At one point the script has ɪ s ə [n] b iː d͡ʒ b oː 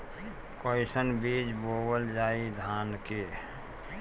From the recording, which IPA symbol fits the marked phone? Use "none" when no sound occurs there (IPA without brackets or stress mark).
n